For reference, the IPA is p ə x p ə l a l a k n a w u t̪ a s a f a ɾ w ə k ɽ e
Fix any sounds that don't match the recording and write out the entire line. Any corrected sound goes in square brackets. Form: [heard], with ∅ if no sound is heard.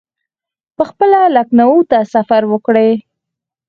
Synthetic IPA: p ə x p ə l a l a k n a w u t̪ a s a f a ɾ w ə k ɽ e